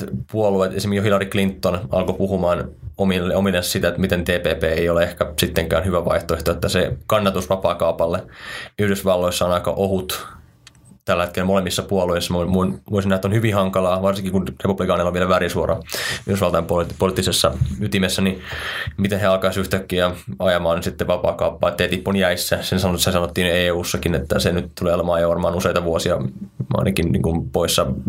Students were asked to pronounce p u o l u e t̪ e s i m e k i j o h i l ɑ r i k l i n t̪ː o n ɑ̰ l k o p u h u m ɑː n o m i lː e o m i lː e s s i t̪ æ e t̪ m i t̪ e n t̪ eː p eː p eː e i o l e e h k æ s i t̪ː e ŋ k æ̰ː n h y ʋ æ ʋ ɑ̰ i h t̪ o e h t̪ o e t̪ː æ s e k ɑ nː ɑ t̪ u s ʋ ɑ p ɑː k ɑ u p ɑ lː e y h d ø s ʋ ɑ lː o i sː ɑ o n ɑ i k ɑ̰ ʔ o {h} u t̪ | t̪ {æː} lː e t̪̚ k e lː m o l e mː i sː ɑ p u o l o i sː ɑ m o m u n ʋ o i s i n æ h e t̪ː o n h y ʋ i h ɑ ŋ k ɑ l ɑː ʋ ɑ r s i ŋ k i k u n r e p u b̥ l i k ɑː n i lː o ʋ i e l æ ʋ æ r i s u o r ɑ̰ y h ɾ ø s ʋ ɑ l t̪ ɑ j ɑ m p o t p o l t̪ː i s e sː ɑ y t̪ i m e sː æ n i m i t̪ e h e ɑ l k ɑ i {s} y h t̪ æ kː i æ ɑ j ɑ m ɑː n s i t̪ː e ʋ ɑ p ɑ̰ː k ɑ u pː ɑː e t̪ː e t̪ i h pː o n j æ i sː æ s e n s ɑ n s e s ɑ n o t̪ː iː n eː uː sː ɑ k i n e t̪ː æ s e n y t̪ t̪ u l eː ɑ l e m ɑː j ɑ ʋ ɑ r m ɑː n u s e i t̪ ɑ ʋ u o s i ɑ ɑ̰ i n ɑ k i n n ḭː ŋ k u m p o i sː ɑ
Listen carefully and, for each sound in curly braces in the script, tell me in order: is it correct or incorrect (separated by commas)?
correct, incorrect, correct